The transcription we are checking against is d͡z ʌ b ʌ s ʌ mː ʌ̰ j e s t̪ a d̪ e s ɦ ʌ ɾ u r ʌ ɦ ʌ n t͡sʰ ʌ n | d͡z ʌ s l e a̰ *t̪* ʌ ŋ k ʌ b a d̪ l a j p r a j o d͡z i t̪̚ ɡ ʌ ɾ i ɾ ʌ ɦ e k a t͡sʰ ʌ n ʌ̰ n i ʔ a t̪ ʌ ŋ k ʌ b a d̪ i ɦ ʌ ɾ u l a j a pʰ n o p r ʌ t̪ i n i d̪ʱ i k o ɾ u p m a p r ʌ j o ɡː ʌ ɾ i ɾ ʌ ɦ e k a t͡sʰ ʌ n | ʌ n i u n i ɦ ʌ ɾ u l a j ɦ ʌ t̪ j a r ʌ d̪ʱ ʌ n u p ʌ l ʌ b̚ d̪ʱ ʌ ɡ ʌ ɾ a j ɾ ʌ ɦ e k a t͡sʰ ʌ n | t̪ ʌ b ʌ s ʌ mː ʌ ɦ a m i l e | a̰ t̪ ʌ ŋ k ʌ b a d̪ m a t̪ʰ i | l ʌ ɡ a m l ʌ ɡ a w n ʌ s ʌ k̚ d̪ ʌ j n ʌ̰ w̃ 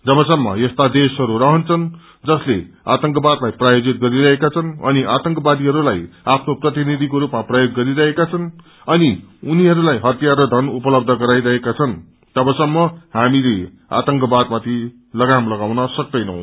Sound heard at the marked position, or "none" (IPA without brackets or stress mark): t̪